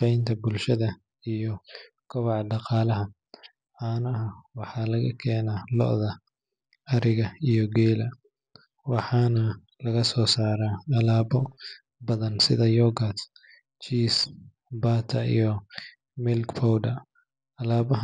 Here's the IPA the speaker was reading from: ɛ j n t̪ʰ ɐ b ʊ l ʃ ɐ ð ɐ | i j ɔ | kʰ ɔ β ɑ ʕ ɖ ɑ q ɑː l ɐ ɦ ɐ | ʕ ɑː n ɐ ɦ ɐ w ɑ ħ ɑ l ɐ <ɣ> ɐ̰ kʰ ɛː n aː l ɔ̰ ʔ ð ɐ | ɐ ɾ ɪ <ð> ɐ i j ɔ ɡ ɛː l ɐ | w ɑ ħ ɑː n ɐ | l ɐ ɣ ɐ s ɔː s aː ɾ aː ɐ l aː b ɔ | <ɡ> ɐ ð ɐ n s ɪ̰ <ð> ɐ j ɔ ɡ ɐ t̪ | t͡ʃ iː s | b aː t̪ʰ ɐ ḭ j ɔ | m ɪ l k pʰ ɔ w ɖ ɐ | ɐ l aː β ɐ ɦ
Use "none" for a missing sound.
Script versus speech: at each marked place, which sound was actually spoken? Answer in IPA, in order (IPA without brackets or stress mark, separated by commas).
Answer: ɣ, ɣ, b, ð